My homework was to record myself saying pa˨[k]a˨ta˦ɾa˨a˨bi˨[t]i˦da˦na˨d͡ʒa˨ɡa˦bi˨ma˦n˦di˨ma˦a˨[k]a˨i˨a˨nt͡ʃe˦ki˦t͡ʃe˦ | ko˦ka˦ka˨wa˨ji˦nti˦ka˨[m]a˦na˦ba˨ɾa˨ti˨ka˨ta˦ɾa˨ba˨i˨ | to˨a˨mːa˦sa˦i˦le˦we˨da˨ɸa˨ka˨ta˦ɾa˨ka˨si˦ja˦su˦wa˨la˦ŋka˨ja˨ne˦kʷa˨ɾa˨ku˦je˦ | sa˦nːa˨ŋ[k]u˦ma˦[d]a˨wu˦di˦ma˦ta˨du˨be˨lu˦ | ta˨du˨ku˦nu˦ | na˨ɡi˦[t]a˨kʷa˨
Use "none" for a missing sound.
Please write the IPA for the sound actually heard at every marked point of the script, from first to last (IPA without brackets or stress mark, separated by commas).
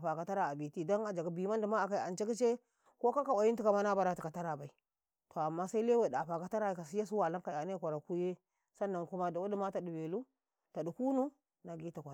k, t, k, m, k, d, t